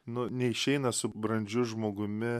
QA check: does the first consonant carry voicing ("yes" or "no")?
yes